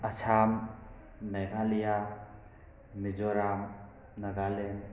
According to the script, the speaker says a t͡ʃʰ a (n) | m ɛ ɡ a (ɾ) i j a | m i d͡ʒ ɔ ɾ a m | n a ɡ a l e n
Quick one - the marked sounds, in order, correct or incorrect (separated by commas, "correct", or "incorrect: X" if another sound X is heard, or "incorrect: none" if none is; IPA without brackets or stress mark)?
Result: incorrect: m, incorrect: l